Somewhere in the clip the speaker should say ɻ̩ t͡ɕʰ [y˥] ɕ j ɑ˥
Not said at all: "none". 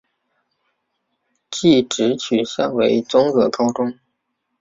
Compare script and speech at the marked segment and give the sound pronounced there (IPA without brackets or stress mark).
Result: y˨˩